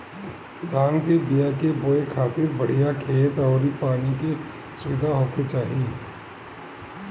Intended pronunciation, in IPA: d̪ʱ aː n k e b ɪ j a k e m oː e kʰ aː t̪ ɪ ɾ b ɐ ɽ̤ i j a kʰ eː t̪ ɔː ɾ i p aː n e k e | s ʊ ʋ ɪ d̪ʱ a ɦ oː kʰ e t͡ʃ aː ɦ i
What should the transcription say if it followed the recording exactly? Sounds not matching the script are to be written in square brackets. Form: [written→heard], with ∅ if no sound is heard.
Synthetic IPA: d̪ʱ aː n k e b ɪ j a k e [m→b] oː e kʰ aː t̪ ɪ ɾ b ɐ ɽ̤ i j a kʰ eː t̪ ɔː ɾ i p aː n [e→i] k e | s ʊ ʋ ɪ d̪ʱ a ɦ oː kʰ e t͡ʃ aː ɦ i